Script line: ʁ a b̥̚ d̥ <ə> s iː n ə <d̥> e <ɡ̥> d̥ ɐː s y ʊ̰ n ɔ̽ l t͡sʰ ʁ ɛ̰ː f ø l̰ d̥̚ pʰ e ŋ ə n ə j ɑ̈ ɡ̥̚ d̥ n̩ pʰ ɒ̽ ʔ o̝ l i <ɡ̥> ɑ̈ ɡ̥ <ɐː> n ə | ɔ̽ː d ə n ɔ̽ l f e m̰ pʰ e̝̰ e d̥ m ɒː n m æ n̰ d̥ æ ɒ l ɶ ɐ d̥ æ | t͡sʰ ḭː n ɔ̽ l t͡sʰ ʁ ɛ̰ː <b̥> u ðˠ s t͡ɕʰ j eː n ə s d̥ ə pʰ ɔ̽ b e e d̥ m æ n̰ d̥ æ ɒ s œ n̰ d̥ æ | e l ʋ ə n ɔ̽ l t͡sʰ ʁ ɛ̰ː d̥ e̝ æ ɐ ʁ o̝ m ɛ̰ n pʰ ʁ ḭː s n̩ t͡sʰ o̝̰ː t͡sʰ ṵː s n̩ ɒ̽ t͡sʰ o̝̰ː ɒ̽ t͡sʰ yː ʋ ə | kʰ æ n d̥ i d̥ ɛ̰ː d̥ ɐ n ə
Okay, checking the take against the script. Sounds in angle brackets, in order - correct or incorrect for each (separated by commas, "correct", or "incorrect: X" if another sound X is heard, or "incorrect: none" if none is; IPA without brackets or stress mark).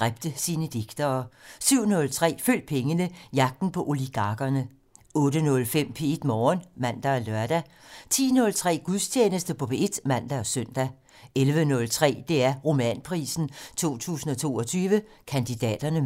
correct, correct, correct, correct, incorrect: ɐ, incorrect: ɡ̥